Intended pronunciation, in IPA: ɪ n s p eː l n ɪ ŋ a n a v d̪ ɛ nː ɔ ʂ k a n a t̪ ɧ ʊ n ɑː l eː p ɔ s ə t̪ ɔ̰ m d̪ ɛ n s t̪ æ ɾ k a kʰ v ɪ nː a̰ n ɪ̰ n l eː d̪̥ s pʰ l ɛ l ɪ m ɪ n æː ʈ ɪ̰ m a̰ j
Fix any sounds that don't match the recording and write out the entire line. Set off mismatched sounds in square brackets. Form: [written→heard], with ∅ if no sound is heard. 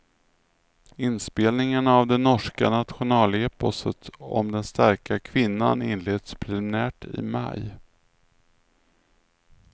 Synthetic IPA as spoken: ɪ n s p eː l n ɪ ŋ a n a v d̪ ɛ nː ɔ ʂ k a n a t̪ ɧ ʊ n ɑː l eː p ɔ s ə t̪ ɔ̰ m d̪ ɛ n s t̪ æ ɾ k a kʰ v ɪ nː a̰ n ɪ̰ n l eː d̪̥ s pʰ [l→ɾ] ɛ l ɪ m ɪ n æː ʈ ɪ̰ m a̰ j